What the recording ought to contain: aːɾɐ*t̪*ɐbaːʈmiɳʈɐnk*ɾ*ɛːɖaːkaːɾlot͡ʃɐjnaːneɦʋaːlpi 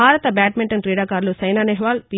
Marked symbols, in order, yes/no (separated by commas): yes, yes